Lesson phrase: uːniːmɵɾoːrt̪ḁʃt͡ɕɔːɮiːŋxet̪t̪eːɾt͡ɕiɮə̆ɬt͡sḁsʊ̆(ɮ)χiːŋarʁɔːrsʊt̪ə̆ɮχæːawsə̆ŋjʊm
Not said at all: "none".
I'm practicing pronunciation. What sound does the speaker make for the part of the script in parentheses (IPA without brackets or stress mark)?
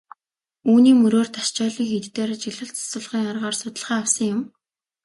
ɮ